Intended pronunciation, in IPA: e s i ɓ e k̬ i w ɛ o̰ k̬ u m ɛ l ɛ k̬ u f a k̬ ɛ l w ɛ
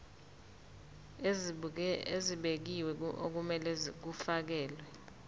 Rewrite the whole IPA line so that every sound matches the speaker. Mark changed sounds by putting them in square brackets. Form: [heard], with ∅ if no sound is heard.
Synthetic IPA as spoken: e [z] i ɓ e k̬ i w ɛ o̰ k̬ u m ɛ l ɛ k̬ u f a k̬ [ɛː] l w ɛ